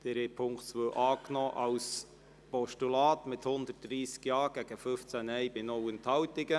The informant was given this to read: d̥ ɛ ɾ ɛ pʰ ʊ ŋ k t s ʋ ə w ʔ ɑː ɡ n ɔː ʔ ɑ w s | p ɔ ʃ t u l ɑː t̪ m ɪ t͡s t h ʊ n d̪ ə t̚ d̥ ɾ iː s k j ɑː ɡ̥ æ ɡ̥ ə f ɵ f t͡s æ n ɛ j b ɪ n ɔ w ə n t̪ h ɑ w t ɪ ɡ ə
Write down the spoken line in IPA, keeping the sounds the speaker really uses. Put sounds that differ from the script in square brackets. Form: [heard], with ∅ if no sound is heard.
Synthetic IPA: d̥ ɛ ɾ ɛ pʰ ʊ ŋ k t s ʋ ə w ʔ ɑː [k] n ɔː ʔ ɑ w s | p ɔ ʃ t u l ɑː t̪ m ɪ [∅] t h ʊ n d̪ ə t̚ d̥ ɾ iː s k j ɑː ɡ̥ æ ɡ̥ ə f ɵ f t͡s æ n ɛ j b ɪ n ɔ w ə n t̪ h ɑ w t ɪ ɡ ə